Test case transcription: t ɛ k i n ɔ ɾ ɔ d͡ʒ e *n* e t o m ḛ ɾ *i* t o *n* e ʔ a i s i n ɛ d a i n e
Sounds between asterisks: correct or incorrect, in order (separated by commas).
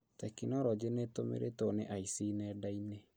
correct, incorrect, correct